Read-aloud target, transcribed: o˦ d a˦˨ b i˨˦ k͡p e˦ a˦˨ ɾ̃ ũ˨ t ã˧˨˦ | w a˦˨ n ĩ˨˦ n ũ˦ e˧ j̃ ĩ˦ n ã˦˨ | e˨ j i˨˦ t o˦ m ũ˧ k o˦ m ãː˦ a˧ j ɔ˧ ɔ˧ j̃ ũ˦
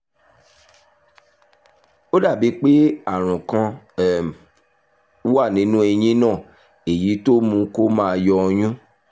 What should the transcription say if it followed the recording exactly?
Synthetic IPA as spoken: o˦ d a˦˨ b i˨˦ k͡p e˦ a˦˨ ɾ̃ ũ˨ k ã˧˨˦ | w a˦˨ n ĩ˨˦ n ũ˦ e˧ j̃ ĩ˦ n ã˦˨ | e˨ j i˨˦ t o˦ m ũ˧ k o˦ m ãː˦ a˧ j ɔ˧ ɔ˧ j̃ ũ˦

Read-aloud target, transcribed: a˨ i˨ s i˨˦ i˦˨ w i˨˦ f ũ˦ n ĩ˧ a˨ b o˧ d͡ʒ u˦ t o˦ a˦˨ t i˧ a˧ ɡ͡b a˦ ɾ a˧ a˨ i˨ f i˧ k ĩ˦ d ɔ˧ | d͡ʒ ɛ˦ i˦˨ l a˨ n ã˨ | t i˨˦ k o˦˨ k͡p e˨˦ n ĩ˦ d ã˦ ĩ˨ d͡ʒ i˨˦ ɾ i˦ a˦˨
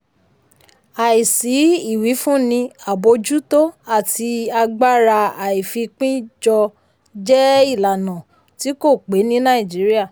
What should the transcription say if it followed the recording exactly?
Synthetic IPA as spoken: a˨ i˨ s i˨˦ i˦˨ w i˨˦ f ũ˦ n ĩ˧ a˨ b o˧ d͡ʒ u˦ t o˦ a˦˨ t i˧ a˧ ɡ͡b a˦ ɾ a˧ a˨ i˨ f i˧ k͡p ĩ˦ d͡ʒ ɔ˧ | d͡ʒ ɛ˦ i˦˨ l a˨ n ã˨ | t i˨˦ k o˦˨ k͡p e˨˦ n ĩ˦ n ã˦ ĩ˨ d͡ʒ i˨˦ ɾ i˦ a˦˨

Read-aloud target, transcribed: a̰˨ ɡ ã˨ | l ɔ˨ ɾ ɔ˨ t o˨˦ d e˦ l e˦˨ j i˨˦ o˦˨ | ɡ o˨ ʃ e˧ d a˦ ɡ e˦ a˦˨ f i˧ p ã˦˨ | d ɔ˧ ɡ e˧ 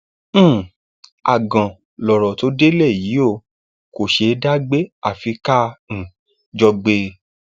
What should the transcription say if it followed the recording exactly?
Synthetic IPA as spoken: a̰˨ ɡ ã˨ | l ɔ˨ ɾ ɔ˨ t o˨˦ d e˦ l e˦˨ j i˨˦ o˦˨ | k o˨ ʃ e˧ d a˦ ɡ͡b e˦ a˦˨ f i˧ k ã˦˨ | d͡ʒ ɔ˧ ɡ͡b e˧

